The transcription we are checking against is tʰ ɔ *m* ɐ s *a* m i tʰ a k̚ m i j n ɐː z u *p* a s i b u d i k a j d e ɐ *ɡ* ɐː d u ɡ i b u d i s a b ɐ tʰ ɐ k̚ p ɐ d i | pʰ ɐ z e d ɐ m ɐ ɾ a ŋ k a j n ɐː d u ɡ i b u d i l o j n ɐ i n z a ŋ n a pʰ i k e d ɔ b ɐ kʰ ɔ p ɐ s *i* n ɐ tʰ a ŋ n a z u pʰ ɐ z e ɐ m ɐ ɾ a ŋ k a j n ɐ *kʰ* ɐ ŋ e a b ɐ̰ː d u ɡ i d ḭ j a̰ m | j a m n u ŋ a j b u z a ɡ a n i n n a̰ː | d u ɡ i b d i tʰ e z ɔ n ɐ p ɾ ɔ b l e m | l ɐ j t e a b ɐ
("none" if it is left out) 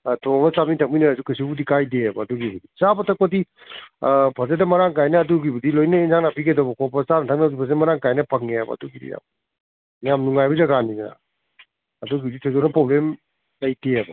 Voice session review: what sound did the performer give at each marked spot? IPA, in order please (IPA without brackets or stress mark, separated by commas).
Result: ŋ, a, k, b, a, pʰ